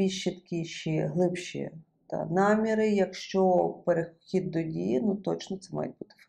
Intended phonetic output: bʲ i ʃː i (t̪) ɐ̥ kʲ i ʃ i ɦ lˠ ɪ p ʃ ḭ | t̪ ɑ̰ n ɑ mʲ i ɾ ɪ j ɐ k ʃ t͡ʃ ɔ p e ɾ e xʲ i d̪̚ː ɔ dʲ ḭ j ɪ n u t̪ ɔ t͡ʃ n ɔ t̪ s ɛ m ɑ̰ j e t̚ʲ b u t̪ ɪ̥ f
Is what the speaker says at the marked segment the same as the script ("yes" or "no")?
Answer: yes